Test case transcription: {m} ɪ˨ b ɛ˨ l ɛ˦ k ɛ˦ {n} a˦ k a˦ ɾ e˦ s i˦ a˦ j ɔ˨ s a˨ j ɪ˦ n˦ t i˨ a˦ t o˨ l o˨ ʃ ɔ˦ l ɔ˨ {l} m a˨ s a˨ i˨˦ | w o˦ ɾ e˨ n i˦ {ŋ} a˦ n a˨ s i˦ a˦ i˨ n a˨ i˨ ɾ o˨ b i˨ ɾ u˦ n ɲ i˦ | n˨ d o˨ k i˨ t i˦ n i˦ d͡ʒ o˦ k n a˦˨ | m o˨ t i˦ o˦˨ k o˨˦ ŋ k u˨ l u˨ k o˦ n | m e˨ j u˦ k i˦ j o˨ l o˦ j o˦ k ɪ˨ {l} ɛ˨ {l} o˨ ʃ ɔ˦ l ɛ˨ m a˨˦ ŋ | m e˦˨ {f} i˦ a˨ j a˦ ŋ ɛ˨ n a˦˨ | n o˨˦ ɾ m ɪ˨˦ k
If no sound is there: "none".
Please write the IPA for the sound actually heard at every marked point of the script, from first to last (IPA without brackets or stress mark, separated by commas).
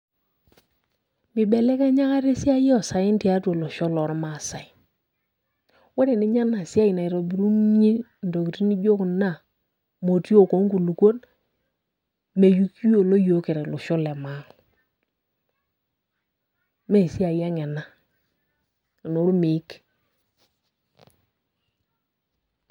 m, ɲ, ɾ, ɲ, ɾ, l, s